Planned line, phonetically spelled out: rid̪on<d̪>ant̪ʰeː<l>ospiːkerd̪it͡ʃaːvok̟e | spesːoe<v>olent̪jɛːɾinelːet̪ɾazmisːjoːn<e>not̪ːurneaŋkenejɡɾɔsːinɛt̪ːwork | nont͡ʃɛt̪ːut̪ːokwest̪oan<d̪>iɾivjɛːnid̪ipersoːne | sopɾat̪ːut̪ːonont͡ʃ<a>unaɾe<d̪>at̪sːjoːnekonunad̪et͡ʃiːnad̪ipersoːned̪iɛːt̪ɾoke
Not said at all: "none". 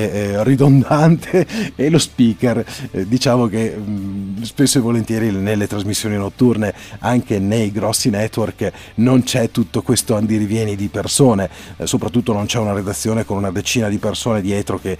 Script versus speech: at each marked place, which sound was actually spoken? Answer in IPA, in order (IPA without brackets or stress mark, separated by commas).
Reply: d̪, l, v, i, d̪, ɛ, d̪